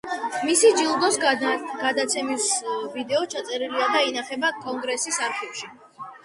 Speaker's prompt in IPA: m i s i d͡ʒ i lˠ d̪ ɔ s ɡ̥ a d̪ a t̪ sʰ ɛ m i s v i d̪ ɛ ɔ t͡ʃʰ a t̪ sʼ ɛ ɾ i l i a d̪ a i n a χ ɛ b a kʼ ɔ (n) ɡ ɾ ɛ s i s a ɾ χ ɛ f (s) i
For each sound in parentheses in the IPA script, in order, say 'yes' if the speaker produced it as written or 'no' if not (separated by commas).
no, no